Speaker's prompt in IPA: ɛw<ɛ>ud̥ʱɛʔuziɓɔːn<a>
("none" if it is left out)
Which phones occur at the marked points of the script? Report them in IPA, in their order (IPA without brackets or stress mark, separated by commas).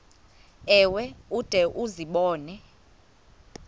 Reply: ɛ, ɛ